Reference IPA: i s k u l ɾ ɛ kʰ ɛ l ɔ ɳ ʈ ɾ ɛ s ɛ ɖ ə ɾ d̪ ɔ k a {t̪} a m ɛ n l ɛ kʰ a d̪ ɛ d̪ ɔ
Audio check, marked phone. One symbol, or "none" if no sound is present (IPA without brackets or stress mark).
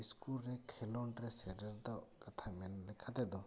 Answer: t̪ʰ